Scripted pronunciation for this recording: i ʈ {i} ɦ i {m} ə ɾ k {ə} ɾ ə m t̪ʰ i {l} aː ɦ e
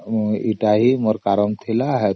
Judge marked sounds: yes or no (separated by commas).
no, yes, no, yes